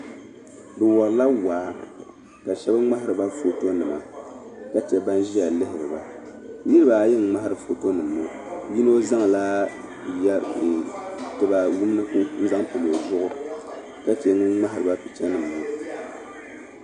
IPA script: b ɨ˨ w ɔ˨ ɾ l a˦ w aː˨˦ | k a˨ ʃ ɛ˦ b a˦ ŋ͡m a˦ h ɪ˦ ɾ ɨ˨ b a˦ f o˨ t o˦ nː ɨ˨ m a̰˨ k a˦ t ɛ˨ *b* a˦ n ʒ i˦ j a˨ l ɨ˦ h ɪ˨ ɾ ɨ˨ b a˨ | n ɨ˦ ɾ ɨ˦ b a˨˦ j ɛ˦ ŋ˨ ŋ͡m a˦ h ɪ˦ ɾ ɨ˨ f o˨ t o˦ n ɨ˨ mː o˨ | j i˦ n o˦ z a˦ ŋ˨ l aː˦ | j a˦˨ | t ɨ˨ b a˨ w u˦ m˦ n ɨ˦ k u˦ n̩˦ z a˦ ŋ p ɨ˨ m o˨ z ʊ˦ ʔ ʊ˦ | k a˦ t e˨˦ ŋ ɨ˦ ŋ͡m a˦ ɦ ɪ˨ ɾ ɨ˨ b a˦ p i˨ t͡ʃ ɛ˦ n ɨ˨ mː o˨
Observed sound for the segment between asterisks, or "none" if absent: b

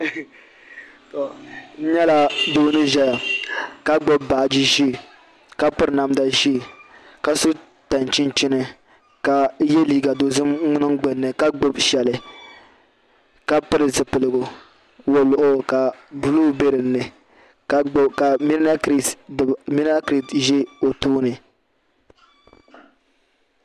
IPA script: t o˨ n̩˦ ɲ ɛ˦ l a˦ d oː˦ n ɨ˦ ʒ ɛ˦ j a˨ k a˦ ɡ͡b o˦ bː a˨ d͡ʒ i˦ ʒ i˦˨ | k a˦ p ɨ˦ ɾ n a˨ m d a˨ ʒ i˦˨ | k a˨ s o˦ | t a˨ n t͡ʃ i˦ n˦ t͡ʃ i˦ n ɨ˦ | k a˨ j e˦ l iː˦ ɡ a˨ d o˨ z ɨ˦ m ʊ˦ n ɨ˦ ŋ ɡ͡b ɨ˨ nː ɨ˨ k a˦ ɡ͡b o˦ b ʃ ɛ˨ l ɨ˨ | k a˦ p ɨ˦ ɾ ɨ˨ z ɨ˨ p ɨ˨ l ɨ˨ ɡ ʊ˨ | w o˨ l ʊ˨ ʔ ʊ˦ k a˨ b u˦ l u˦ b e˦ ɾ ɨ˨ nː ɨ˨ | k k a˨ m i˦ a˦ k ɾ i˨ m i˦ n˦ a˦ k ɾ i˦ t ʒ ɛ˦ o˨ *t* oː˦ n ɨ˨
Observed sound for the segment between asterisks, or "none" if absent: t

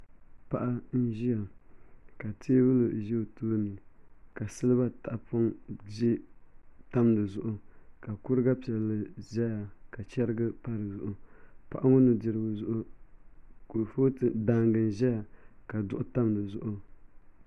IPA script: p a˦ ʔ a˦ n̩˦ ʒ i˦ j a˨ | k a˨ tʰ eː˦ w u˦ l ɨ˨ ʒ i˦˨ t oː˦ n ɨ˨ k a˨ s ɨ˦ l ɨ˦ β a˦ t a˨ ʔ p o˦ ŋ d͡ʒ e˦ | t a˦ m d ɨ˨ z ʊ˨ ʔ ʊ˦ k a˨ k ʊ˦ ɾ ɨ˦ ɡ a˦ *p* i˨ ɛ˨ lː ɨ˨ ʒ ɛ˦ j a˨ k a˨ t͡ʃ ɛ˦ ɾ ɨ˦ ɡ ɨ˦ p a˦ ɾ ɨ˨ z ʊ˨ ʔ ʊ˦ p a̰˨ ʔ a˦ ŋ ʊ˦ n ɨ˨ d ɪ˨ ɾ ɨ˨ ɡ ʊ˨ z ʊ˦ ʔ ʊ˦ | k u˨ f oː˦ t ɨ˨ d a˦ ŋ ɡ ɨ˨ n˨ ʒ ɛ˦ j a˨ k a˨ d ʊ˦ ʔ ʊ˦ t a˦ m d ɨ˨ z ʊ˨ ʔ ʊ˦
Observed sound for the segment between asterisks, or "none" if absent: p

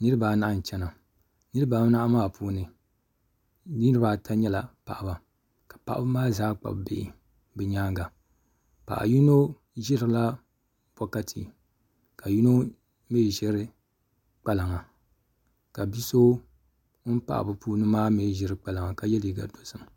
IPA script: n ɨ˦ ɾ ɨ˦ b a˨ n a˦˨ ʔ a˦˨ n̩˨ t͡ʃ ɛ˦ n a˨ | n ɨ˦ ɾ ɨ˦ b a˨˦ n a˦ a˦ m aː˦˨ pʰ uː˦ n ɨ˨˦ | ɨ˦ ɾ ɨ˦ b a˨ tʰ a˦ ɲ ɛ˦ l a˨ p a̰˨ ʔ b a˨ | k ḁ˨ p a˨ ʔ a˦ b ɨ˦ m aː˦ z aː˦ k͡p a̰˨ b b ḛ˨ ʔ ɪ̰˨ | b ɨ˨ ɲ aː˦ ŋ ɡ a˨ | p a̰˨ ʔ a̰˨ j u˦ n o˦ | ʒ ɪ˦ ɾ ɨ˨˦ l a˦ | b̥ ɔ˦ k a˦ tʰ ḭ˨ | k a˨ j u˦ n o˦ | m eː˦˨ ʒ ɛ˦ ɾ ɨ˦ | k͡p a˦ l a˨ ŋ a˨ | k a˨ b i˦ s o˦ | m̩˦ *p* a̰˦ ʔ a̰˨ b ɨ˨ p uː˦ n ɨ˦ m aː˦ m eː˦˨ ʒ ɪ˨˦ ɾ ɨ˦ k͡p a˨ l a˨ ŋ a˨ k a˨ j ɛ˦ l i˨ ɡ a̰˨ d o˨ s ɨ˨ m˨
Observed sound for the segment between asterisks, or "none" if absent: p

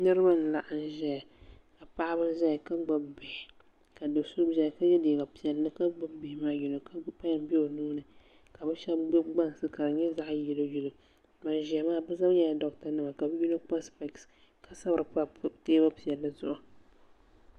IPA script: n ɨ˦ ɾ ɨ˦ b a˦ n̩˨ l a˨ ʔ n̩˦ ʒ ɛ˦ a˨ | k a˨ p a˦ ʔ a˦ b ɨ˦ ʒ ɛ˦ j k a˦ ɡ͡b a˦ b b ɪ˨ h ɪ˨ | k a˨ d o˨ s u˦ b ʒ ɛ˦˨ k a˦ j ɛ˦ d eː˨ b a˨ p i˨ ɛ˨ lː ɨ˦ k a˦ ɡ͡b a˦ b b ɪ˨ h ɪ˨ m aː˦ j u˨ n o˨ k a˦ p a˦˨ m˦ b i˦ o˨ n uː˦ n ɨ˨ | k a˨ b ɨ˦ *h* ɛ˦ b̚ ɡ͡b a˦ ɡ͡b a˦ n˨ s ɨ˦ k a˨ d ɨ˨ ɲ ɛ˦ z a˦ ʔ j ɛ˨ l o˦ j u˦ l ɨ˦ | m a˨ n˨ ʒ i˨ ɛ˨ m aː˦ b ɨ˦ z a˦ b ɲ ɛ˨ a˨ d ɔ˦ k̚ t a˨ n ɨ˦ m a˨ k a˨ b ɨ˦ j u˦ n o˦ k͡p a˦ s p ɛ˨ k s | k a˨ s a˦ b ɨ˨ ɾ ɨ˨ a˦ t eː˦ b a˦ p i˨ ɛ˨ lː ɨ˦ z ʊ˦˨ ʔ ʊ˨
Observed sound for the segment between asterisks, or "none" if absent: ʃ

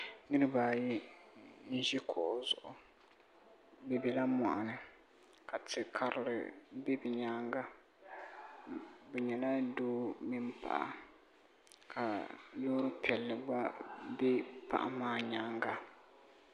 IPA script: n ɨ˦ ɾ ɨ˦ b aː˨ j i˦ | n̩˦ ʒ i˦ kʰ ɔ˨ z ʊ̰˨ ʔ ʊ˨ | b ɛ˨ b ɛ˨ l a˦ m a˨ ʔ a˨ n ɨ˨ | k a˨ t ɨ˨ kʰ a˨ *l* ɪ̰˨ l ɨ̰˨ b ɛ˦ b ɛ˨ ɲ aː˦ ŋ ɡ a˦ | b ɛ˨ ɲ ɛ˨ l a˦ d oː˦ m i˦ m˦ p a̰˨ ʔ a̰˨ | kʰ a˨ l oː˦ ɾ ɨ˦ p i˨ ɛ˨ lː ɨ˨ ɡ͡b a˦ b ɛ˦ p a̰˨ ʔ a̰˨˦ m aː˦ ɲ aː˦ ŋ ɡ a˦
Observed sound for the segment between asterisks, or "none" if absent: ɾ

